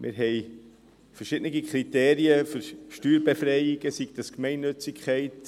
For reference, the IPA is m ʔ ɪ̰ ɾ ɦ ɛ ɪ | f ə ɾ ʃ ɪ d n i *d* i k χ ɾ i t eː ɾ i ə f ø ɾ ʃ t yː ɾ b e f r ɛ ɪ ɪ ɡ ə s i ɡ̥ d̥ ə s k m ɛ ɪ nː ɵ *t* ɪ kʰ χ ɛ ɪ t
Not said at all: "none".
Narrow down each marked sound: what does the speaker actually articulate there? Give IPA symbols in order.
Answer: ɡ, t͡s

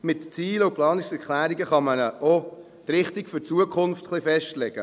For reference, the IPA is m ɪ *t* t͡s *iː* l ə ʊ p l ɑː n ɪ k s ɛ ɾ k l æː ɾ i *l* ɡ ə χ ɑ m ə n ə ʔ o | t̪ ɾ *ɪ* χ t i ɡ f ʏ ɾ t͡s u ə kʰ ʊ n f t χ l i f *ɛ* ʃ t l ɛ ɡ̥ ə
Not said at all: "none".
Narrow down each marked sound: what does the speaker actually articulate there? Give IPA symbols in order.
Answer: t, iː, none, ɪ, ɛ

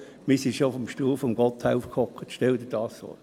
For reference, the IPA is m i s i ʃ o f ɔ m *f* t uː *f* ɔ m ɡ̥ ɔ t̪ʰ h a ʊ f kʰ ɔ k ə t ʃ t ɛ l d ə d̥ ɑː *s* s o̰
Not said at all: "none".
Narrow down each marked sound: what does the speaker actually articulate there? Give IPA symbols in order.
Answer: ʃ, f, s

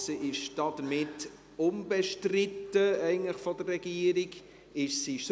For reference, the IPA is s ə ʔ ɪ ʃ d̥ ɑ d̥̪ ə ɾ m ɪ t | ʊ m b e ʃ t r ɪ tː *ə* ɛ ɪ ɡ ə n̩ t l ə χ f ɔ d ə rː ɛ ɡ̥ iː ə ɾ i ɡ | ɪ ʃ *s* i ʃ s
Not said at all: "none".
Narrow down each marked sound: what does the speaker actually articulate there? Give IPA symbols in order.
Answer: ə, s

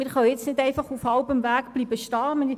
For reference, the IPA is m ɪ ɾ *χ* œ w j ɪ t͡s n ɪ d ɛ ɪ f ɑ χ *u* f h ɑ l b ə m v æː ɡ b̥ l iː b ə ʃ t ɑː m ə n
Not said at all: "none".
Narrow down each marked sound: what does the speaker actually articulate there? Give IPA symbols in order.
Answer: χ, u

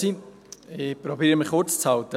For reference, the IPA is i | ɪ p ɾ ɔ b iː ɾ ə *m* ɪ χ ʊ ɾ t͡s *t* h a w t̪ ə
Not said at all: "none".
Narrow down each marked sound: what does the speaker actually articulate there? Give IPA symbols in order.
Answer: m, t͡s

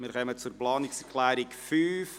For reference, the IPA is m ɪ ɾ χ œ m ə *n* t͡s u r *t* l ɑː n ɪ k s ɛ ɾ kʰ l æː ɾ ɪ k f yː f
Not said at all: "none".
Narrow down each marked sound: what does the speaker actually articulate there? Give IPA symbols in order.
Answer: none, p

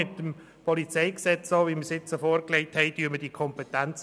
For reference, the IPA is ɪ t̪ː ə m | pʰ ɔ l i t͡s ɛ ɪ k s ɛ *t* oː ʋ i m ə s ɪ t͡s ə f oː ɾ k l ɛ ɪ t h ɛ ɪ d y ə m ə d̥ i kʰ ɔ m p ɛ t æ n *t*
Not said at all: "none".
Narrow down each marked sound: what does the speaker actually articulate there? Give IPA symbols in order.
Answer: t͡s, t͡s

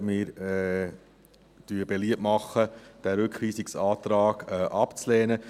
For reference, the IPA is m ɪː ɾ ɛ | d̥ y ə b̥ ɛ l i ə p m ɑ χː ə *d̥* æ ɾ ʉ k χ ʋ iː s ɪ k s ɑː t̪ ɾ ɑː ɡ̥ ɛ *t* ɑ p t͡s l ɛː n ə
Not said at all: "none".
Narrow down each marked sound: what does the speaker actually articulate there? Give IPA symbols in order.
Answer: d̥, ʔ

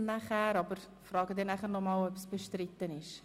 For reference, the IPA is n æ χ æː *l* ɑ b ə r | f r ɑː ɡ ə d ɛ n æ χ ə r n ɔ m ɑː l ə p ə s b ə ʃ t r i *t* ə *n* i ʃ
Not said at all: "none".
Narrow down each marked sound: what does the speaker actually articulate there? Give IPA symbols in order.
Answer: ɾ, t, n

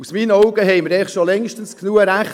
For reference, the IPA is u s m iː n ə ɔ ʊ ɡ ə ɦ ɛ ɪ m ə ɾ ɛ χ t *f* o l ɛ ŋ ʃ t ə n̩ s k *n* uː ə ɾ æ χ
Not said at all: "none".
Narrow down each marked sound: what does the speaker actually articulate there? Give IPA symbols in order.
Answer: ʃ, n

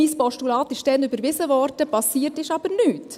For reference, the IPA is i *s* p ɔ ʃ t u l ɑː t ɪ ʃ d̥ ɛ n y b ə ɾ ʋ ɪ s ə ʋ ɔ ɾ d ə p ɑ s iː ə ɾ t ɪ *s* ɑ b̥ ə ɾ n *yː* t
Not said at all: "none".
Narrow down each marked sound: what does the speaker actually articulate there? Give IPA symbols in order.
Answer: s, ʃ, yː

